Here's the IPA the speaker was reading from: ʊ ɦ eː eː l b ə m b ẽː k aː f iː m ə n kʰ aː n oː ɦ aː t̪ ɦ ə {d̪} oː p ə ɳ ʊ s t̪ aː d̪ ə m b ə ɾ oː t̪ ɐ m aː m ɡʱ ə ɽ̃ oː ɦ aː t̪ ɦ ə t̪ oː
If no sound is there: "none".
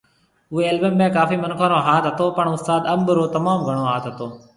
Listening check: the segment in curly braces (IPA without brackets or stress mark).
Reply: t̪